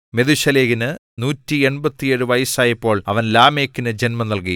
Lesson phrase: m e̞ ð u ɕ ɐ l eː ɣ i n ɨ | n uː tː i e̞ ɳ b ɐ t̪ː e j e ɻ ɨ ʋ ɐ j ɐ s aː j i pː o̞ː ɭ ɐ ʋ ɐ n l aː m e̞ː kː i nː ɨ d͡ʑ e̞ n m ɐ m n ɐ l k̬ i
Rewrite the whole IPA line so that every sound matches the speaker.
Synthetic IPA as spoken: m e̞ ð u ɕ ɐ l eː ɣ i n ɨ | n uː tː i e̞ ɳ b ɐ t̪ː i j e ɻ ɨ ʋ ɐ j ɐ s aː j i pː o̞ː ɭ ɐ ʋ ɐ n l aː m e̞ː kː i n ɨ d͡ʑ e̞ n m ɐ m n ɐ l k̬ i